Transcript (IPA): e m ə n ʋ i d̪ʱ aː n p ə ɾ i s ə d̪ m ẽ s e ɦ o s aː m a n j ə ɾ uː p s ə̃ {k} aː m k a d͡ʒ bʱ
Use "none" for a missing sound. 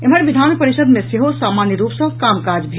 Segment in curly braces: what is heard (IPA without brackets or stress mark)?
k